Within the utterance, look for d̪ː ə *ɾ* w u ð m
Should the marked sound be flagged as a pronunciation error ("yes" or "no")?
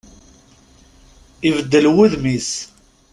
yes